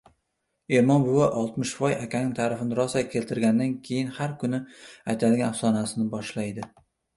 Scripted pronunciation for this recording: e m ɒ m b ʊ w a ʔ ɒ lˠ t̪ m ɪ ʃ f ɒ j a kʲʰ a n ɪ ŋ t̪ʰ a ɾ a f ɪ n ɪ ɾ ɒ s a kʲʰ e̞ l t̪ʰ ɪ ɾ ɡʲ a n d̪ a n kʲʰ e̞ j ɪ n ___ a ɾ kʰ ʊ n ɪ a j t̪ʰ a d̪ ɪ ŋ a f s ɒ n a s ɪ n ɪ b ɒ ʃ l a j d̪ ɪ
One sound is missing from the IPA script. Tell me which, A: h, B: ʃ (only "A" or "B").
A